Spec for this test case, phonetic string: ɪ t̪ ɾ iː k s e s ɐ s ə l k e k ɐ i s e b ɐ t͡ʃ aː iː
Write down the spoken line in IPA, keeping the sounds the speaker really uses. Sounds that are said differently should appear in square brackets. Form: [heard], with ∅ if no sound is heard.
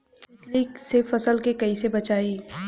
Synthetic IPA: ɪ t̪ [l] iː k s e [f] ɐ s ə l k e k ɐ i s e b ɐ t͡ʃ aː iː